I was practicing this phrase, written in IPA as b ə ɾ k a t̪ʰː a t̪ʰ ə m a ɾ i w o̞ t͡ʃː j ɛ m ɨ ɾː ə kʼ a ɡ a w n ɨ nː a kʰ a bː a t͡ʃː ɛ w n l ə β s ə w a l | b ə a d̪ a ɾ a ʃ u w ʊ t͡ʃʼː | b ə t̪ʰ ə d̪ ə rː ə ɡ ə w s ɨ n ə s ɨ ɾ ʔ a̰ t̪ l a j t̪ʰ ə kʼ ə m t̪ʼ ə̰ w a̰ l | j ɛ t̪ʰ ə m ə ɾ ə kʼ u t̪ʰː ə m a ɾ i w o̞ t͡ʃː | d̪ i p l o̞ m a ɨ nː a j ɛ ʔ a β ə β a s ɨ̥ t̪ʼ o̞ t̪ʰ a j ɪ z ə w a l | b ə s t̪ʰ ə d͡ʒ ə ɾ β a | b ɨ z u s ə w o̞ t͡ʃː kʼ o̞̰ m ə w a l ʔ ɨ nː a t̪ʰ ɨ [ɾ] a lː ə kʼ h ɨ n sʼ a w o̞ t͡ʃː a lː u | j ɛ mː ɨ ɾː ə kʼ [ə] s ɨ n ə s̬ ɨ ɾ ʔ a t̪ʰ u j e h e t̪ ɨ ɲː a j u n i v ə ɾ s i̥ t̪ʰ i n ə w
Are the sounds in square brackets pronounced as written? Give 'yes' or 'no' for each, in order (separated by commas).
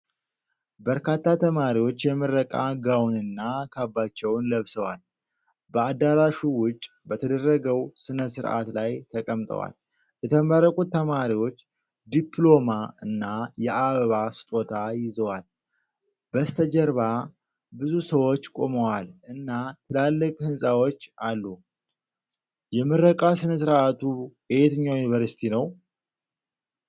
no, no